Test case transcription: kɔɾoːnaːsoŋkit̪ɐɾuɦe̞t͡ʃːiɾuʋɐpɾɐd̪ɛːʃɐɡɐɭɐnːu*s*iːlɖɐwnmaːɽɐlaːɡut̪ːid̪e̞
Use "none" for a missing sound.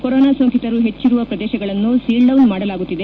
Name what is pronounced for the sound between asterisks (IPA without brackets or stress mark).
s